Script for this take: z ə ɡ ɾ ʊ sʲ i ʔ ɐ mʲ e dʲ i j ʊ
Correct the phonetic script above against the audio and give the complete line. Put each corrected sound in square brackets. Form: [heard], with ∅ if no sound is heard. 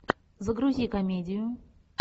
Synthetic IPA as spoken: z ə ɡ ɾ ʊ [zʲ] i [k] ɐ mʲ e dʲ [ɪ] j ʊ